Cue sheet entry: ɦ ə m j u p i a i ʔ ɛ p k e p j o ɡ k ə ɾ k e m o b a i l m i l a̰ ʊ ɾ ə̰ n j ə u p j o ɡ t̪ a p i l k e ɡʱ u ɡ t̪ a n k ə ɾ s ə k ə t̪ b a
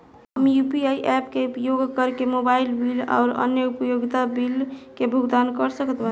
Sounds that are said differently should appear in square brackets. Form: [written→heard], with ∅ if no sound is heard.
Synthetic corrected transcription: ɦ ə m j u p i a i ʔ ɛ p k e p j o ɡ k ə ɾ k e m o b a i l [m→b] i l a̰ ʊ ɾ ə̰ n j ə u p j o ɡ t̪ a [p→b] i l k e [ɡʱ→bʱ] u ɡ [t̪→d̪] a n k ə ɾ s ə k ə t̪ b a